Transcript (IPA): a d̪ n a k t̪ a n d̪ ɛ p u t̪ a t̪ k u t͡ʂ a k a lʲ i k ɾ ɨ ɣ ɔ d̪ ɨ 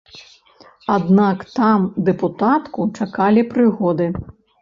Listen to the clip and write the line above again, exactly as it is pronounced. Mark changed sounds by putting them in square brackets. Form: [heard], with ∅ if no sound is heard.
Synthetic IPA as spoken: a d̪ n a k t̪ a [m] d̪ ɛ p u t̪ a t̪ k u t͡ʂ a k a lʲ i [p] ɾ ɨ ɣ ɔ d̪ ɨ